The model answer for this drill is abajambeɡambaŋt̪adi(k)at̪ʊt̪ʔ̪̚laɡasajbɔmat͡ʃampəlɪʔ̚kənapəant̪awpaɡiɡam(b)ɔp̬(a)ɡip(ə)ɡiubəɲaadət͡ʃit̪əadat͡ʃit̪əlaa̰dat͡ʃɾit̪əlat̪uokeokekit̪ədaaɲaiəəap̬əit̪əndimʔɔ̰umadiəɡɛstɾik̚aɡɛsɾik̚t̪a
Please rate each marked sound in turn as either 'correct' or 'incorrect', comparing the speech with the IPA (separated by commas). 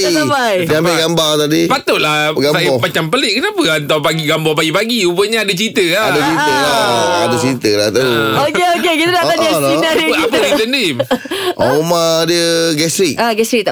incorrect, correct, correct, incorrect